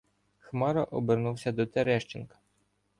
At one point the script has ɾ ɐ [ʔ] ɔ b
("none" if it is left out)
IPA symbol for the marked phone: ʔ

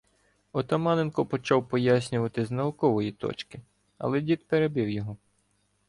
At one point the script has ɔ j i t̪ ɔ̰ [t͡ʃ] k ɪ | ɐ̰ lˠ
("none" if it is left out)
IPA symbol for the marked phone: t͡ʃ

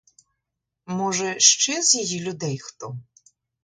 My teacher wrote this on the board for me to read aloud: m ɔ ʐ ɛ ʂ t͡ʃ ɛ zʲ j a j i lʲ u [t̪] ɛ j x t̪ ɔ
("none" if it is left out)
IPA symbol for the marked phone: d̪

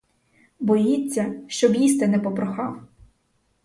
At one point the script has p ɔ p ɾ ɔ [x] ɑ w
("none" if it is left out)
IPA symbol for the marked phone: x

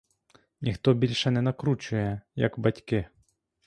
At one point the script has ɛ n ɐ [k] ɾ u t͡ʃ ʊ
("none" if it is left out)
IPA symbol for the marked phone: k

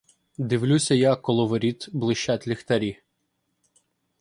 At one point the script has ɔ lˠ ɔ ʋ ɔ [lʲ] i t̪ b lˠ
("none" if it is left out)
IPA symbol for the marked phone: ɾʲ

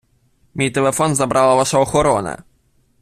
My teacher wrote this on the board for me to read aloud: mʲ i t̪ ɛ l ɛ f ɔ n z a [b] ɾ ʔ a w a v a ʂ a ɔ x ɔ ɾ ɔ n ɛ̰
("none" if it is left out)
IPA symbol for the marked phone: b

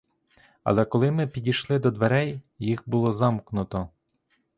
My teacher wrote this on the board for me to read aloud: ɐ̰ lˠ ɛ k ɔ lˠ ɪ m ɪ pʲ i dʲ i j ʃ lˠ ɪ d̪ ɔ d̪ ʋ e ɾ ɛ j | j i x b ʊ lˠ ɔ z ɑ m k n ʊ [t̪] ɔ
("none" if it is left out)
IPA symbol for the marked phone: t̪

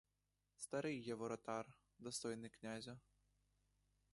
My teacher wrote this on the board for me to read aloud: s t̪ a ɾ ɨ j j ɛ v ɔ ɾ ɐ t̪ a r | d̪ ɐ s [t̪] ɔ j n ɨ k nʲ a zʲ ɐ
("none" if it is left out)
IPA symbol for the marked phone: t̪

